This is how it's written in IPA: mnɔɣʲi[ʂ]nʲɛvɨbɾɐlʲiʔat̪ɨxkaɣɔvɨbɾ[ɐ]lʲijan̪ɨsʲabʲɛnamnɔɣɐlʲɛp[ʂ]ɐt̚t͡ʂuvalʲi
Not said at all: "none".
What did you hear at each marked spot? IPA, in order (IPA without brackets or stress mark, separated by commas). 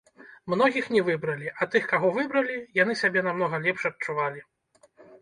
x, ɐ, ʂ